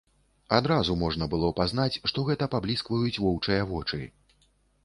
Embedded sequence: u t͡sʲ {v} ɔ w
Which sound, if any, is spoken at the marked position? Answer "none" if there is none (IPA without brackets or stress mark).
v